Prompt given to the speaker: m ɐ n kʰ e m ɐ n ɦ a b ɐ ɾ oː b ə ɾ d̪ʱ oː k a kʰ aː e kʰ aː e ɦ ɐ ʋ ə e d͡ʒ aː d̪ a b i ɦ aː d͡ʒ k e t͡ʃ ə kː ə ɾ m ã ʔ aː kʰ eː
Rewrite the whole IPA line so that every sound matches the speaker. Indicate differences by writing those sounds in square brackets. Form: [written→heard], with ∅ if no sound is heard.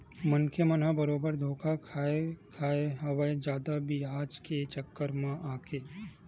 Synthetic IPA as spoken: m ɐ n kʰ e m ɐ n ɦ a b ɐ ɾ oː b ə ɾ d̪ʱ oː k a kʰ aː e kʰ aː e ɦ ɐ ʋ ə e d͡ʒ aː d̪ a b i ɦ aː d͡ʒ k e t͡ʃ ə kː ə ɾ m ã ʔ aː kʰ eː

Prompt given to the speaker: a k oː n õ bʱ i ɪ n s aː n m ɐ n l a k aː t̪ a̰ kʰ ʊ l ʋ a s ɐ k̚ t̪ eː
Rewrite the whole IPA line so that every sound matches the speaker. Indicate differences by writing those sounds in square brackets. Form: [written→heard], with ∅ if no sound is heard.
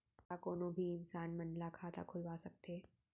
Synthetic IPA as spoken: a k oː n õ bʱ i ɪ n s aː n m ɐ n l a [k→kʰ] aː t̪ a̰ kʰ ʊ l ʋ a s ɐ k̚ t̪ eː

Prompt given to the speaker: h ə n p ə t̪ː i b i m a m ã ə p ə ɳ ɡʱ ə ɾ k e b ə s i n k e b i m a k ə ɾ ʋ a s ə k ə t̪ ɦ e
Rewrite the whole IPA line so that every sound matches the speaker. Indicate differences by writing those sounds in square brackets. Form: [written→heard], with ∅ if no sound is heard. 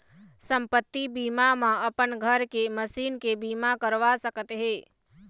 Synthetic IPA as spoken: [h→s] ə [n→m] p ə t̪ː i b i m a m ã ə p ə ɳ ɡʱ ə ɾ k e [b→m] ə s i n k e b i m a k ə ɾ ʋ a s ə k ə t̪ ɦ e

